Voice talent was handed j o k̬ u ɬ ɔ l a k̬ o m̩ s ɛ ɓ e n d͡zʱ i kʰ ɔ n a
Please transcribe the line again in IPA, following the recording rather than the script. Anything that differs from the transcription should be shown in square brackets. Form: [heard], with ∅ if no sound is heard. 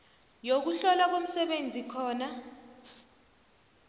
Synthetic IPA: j o k̬ u ɬ ɔ l a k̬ o m̩ s ɛ ɓ e n d͡zʱ i kʰ [ɔː] n a